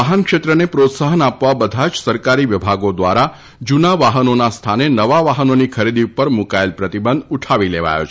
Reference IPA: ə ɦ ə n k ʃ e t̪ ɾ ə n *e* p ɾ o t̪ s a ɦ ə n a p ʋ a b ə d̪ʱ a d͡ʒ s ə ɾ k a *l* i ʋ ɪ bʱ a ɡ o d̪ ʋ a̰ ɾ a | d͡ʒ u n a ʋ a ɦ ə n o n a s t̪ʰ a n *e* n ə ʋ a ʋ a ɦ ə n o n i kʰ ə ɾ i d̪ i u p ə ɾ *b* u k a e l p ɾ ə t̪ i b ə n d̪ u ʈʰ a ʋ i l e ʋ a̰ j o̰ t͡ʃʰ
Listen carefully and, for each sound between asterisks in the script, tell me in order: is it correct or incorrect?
correct, incorrect: ɾ, correct, incorrect: m

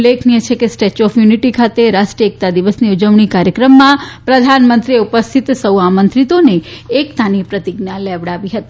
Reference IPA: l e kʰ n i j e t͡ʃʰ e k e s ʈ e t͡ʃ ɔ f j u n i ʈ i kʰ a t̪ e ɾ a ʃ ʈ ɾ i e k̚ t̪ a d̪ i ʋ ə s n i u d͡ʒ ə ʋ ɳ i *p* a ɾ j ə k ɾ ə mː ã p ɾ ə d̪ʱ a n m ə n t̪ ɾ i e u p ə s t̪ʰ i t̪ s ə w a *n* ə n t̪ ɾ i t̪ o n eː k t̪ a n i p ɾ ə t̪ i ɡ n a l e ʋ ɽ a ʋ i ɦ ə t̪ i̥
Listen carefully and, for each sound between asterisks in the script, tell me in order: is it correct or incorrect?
incorrect: k, incorrect: m

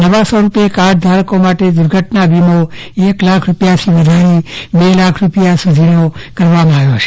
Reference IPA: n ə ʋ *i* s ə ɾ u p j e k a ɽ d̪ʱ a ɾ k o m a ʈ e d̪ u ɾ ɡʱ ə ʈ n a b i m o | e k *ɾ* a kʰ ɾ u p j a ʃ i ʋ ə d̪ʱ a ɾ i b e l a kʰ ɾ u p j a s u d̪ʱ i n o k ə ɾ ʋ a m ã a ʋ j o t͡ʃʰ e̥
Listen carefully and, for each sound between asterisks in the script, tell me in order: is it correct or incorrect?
incorrect: a, incorrect: l

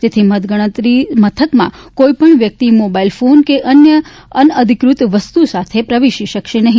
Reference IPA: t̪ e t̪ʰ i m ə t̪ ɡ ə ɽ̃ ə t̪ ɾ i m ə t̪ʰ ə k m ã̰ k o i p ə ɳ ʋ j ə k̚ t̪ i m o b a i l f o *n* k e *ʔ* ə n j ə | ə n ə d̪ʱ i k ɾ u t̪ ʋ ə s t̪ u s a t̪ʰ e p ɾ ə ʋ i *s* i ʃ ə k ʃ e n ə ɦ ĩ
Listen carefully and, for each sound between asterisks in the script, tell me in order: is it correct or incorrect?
correct, correct, incorrect: ʃ

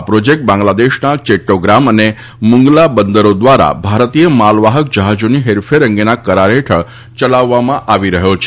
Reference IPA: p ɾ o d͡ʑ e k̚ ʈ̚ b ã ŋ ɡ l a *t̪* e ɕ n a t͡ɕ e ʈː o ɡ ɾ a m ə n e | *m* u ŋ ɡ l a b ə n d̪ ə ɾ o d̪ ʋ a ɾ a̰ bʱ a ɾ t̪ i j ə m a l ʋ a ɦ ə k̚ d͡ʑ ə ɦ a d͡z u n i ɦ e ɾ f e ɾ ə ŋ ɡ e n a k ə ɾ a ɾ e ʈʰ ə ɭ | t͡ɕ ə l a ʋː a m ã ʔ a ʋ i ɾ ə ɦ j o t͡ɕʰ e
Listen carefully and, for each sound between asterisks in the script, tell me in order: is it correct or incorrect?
incorrect: d̪, correct

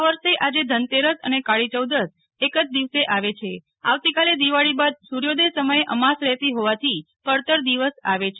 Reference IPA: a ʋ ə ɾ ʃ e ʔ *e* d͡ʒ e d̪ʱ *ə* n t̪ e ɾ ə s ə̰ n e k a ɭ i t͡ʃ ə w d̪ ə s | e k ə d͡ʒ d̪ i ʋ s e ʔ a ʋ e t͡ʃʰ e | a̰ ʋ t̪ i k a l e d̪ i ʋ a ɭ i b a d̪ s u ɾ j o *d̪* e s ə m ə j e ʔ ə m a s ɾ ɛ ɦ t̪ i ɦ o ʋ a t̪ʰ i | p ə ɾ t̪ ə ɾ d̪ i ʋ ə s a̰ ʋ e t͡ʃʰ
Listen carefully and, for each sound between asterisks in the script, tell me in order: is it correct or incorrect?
incorrect: a, correct, correct

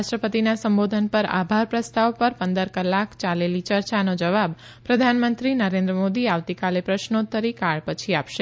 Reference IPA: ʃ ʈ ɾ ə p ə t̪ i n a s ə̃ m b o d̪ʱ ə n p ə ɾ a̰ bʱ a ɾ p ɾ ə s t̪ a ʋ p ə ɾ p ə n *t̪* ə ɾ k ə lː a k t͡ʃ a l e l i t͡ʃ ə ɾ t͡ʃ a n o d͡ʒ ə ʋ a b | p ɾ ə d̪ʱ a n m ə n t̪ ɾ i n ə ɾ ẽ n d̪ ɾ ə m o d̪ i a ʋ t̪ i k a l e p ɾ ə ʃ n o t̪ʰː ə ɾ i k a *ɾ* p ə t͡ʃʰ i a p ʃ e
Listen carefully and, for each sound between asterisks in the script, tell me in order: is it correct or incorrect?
incorrect: d̪, incorrect: ɭ

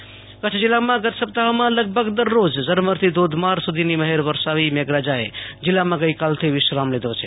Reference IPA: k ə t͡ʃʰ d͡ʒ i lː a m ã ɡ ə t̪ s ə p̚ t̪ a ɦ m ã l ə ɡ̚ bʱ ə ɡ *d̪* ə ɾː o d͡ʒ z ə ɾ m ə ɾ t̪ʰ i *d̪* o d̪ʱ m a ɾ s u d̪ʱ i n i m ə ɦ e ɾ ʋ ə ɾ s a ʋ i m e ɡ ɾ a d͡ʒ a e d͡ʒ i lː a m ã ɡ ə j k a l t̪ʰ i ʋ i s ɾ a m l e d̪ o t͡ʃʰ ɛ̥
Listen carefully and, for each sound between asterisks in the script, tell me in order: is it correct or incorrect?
correct, correct

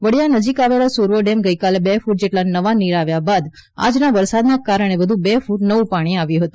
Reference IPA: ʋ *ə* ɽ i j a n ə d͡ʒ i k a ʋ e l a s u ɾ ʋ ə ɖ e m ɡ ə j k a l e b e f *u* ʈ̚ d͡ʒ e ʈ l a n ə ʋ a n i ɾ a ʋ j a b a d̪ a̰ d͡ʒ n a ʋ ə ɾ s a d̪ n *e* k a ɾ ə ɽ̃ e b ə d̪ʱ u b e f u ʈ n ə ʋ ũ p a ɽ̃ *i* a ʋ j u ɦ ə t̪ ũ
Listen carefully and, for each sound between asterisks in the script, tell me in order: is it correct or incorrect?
correct, correct, incorrect: a, correct

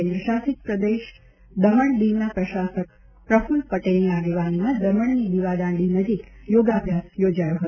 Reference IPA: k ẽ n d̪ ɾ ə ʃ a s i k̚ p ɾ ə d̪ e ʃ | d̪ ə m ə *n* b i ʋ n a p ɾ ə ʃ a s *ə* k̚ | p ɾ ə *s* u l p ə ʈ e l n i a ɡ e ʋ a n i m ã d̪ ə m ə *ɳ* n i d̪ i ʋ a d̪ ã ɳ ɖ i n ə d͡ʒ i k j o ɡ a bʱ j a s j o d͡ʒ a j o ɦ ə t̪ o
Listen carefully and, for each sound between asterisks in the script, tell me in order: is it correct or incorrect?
incorrect: ɳ, correct, incorrect: f, correct

